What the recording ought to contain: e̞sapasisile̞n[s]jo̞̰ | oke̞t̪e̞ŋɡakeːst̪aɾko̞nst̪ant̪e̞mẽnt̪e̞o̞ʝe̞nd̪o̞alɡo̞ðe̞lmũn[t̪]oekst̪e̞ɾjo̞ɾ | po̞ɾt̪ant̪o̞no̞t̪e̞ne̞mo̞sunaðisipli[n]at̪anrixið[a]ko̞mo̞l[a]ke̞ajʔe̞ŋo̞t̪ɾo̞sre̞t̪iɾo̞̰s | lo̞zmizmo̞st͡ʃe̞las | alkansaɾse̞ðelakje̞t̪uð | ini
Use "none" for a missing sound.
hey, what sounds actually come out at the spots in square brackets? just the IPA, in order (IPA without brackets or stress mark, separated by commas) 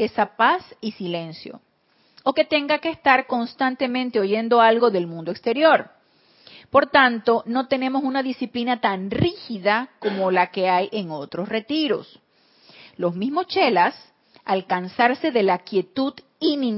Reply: s, d̪, n, a, a